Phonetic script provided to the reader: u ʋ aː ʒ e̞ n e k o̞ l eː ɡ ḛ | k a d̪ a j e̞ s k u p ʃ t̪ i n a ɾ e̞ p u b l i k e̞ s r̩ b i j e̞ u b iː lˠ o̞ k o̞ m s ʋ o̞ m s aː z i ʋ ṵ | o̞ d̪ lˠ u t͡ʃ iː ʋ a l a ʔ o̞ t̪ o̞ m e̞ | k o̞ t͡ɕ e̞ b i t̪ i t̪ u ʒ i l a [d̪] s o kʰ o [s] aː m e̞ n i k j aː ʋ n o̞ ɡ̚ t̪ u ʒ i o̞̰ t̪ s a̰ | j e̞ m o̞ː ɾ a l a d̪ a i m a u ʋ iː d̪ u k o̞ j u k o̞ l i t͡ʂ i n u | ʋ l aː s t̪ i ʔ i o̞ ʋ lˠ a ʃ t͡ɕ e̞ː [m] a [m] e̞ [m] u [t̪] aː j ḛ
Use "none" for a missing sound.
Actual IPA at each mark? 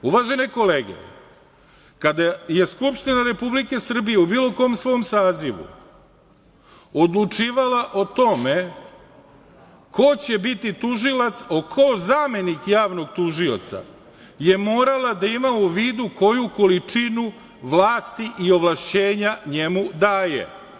t̪, z, ɲ, ɲ, m, d̪

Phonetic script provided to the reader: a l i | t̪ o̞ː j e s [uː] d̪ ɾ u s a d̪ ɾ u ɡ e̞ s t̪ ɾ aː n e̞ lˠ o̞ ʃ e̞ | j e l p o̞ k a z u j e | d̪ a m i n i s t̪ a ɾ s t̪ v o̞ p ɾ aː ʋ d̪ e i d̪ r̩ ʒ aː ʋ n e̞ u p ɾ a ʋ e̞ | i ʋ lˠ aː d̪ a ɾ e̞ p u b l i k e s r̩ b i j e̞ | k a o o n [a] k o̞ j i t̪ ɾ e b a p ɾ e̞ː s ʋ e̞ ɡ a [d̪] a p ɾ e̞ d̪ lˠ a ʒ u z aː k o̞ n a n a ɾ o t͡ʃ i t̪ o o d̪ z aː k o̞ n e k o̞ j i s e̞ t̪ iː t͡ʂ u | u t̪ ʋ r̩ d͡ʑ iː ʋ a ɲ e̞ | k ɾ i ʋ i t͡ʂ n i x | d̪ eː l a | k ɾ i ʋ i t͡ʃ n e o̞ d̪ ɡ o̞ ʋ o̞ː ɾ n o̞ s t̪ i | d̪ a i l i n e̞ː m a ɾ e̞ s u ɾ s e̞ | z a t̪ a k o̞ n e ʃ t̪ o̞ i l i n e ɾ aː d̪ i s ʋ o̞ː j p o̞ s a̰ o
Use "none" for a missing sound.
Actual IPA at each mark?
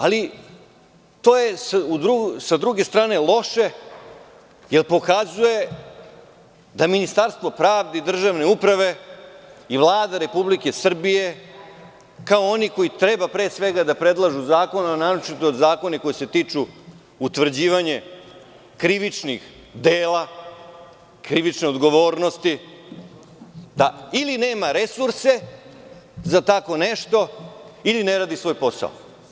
u, i, d̪

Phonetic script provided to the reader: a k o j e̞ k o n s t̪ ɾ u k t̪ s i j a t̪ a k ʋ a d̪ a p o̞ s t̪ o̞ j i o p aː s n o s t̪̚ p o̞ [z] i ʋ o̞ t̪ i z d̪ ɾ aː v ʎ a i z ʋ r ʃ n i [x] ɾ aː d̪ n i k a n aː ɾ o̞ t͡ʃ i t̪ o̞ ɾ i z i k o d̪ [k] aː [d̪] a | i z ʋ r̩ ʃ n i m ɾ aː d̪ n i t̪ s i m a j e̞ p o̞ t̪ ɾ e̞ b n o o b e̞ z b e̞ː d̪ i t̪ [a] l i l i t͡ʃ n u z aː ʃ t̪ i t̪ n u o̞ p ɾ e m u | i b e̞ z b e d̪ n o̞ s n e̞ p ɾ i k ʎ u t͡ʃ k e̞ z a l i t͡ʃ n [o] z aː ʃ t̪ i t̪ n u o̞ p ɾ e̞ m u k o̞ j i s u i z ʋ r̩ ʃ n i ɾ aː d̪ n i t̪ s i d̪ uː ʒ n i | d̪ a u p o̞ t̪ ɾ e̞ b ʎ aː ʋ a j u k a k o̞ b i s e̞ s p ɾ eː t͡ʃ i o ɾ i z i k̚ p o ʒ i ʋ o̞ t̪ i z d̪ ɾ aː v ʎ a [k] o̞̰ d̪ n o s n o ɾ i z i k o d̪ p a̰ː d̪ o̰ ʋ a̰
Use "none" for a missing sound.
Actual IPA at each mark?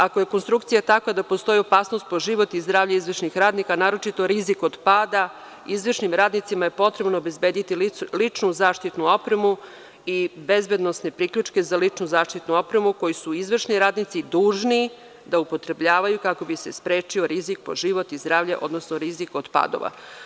ʒ, x, p, d̪, i, u, ʔ

